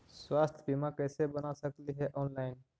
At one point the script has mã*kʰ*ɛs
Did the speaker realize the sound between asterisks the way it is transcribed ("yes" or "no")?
no